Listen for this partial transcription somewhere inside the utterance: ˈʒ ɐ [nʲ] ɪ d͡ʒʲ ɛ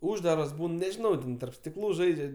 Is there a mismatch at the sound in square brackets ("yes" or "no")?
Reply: yes